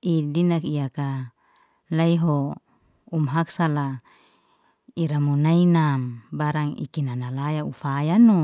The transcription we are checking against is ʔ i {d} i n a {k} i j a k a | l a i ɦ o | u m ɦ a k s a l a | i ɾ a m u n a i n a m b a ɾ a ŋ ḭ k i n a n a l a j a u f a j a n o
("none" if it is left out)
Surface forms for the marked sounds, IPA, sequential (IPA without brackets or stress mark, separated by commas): d, k